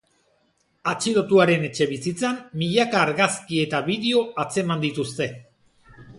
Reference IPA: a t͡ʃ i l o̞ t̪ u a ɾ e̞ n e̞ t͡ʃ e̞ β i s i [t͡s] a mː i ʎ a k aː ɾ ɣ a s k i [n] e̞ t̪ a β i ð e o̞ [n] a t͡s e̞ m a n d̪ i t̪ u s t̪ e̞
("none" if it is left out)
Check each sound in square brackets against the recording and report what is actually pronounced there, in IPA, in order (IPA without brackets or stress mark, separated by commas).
t͡s, none, none